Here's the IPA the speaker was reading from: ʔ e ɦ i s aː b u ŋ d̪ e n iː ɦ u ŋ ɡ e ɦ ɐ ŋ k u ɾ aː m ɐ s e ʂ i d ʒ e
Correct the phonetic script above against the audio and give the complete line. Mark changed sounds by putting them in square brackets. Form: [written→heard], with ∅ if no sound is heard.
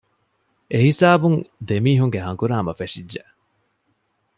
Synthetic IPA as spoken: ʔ e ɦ i s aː b u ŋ d̪ e [n→m] iː ɦ u ŋ ɡ e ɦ ɐ ŋ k u ɾ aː m ɐ [s→f] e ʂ i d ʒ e